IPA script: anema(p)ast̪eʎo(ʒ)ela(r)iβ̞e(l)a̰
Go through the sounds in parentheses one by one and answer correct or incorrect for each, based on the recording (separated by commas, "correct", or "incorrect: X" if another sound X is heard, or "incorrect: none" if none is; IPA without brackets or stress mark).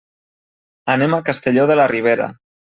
incorrect: k, incorrect: ð, correct, incorrect: ɾ